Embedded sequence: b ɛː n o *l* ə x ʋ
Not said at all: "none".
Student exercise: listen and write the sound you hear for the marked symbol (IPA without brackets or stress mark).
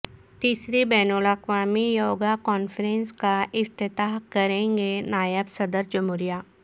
l